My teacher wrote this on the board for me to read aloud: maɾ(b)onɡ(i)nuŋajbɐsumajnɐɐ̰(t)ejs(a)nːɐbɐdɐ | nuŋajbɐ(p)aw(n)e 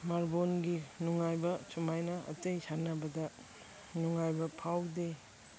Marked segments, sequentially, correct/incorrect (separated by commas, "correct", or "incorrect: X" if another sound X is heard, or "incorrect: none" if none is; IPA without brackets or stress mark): correct, correct, correct, correct, incorrect: pʰ, incorrect: d